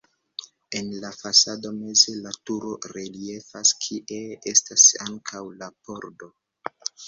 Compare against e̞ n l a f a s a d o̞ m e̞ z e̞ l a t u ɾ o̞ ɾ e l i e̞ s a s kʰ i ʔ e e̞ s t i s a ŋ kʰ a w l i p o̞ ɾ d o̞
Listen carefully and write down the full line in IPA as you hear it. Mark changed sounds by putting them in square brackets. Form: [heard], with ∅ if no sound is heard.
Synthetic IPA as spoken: e̞ n l a f a s a d o̞ m e̞ z e̞ l a t u ɾ o̞ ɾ e l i e̞ [f] a s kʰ i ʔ e e̞ s t [a] s a ŋ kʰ a w l [a] p o̞ ɾ d o̞